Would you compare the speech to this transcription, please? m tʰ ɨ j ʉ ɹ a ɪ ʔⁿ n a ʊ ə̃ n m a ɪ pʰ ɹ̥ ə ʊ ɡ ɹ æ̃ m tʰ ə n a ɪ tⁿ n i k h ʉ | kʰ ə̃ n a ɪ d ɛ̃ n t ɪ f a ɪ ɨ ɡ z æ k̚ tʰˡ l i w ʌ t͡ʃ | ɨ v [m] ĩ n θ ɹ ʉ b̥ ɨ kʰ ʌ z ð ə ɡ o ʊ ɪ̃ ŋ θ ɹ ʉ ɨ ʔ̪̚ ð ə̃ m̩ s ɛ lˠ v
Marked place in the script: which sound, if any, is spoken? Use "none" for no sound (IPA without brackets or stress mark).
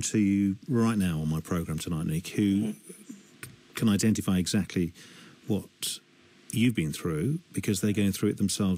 b